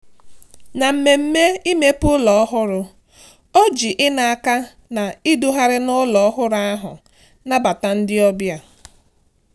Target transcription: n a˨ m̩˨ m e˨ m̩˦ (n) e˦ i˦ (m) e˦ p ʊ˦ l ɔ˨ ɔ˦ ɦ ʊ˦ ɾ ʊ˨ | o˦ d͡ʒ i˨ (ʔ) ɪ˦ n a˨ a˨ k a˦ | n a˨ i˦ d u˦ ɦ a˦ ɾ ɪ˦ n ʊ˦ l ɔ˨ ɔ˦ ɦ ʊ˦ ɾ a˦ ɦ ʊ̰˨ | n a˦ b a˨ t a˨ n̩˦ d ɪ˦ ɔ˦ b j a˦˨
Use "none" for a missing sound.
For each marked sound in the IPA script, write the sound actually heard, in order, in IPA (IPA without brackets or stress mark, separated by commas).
m, m, ʔ